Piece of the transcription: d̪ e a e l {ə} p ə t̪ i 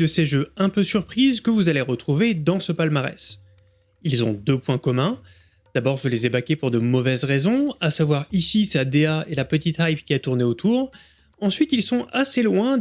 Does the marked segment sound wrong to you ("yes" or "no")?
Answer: yes